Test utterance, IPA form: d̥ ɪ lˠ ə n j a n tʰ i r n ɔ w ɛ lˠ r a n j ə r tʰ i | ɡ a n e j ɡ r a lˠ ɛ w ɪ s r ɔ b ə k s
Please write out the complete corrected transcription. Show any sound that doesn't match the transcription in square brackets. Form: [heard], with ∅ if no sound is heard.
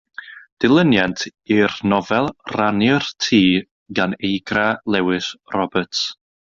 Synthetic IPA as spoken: d̥ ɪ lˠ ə n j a n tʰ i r n ɔ [v] ɛ lˠ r a n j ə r tʰ [iː] | ɡ a n e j ɡ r a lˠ ɛ w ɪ s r ɔ b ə [t] s